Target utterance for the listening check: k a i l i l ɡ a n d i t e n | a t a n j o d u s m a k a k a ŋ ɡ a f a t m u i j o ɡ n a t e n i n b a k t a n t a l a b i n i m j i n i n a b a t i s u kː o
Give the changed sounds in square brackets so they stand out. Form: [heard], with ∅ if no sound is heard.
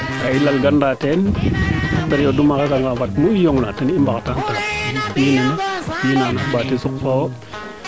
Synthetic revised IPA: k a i l [a] l ɡ a n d [a] t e n | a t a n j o d u [∅] m a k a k a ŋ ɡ a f a t m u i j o [ŋ] n a t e n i [m] b a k t a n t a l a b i n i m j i n [a] n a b a t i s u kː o